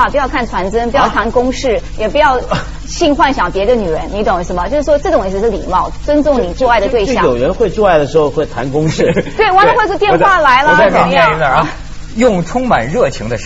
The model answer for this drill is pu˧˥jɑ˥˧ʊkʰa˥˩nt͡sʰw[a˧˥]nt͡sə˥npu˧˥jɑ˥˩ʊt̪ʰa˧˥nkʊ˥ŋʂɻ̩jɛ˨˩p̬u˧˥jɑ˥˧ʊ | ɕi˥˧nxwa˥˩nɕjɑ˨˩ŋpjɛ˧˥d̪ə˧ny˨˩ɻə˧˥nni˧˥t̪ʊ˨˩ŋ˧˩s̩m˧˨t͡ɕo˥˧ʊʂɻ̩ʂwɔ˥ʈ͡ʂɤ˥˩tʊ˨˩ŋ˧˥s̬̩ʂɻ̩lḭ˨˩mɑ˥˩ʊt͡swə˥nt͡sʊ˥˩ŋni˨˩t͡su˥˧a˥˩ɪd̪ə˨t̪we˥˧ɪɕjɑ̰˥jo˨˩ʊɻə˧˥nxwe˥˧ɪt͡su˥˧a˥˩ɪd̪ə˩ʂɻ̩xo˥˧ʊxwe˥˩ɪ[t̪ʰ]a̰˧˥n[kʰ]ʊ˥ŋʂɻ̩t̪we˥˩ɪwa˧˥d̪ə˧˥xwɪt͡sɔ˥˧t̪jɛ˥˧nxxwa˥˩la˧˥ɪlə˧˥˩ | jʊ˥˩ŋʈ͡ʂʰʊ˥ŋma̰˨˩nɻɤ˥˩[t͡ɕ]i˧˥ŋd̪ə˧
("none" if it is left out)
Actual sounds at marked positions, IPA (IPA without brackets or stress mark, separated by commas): a˧˥, t̪ʰ, k, t͡ɕʰ